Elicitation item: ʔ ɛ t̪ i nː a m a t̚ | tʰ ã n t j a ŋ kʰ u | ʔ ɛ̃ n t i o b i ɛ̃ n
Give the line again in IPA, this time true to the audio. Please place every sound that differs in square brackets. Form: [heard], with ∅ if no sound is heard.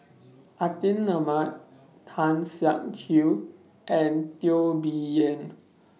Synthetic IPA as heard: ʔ [a] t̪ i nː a m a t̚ | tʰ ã n [s] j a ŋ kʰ u | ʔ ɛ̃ n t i o b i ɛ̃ n